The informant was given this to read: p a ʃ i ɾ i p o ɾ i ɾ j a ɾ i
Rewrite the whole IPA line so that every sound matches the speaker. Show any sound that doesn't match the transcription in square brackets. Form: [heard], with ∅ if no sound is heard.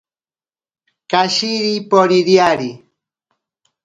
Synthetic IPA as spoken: [k] a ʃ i ɾ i p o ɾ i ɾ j a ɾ i